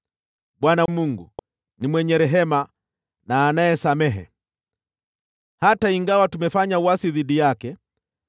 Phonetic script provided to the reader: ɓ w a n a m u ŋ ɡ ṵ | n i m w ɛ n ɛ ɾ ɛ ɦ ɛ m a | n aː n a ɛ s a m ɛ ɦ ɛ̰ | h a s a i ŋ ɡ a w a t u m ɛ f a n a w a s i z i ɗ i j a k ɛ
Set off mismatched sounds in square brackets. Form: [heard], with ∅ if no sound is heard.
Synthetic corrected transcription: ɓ w a n a m u ŋ ɡ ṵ | n i m w ɛ [ɲ] ɛ ɾ ɛ ɦ ɛ m a | n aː n a ɛ s a m ɛ ɦ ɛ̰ | h a [t] a i ŋ ɡ a w a t u m ɛ f a [ɲ] a w a s i [ð] i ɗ i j a k ɛ